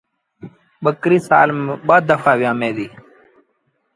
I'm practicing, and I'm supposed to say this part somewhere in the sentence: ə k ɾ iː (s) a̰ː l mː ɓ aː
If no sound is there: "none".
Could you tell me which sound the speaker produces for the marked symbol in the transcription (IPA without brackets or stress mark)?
s